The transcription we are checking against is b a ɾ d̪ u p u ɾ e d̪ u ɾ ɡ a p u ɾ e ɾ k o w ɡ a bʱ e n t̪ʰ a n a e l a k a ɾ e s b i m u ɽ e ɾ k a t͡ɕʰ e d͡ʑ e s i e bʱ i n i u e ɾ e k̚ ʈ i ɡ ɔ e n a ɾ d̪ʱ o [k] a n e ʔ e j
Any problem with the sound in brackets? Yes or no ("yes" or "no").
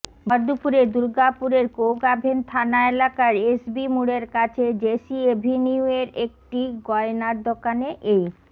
no